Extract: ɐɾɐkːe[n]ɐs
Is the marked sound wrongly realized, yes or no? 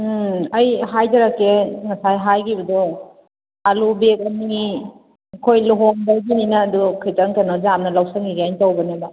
yes